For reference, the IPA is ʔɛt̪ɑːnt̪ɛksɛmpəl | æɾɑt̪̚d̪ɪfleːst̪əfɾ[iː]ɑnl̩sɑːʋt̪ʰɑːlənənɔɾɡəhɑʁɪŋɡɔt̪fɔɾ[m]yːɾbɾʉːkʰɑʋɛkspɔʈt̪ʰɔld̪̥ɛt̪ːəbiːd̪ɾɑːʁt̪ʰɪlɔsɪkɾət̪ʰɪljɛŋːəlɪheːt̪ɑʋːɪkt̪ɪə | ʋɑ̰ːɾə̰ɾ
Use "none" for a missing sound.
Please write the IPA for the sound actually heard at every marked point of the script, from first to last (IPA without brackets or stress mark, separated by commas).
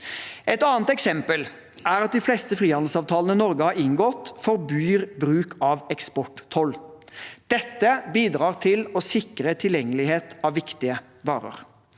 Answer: iː, b